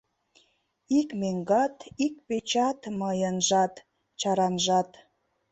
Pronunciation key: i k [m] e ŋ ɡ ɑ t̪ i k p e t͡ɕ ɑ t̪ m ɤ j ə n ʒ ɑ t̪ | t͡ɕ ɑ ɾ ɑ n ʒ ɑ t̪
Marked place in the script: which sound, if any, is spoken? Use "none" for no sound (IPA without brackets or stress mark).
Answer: m